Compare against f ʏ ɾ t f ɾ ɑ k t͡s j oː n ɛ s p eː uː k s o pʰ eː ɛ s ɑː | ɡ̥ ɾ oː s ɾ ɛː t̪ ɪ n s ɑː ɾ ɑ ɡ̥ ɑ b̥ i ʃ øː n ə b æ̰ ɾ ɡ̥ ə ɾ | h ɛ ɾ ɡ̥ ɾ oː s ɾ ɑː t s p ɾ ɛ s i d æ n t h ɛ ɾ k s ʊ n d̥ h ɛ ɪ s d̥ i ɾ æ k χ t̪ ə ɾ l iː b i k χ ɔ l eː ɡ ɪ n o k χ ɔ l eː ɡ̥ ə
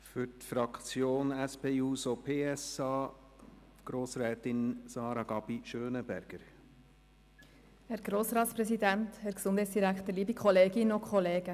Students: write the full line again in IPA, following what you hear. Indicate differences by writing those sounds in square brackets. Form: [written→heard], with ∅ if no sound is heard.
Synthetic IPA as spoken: f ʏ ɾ t f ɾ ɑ k t͡s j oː n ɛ s p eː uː [k→∅] s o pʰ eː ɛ s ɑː | ɡ̥ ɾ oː s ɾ ɛː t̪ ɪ n s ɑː ɾ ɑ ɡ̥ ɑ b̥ i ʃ øː n ə b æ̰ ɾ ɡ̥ ə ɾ | h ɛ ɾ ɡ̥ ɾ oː s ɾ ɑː t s p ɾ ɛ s i d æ n t h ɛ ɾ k s ʊ n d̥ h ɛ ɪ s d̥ i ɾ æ k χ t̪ ə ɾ l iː b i k χ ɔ l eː ɡ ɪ n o k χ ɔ l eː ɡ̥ ə